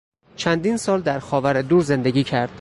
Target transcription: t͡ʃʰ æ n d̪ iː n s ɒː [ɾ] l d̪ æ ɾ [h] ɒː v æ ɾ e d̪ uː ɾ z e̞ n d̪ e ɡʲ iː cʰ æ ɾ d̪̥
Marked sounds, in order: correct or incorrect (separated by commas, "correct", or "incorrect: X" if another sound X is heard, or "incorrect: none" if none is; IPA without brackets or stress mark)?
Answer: incorrect: none, incorrect: x